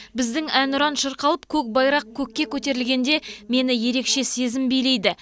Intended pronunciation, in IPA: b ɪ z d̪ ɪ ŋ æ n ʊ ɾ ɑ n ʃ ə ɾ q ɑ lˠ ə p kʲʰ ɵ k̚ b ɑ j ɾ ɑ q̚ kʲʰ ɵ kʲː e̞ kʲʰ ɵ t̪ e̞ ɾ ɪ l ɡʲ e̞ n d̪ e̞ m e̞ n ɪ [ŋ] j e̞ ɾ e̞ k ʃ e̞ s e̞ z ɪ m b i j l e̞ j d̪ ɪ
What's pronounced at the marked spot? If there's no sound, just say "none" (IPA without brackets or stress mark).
none